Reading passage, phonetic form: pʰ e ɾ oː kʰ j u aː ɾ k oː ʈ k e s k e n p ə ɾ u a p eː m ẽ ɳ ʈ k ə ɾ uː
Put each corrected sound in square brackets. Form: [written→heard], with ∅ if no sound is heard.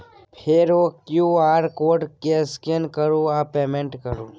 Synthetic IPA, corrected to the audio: pʰ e ɾ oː [kʰ→k] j u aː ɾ k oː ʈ k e s k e n [p→k] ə ɾ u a p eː m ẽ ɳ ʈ k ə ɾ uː